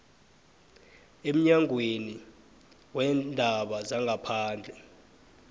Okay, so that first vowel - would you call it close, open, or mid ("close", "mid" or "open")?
mid